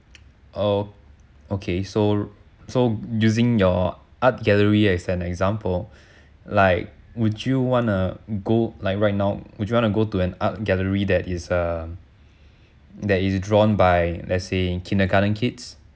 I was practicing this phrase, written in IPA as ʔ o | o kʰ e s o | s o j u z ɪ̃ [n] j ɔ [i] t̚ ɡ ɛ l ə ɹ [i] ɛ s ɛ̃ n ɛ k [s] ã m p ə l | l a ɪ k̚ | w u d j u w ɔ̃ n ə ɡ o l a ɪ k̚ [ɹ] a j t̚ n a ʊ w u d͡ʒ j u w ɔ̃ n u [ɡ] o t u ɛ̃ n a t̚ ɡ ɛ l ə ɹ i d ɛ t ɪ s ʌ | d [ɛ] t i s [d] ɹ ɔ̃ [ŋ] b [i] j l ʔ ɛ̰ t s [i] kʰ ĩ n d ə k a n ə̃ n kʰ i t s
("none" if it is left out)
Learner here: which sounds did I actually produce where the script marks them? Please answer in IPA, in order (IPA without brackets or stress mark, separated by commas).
ŋ, a, i, z, ɹ, ɡ, ɛ, d, n, a, e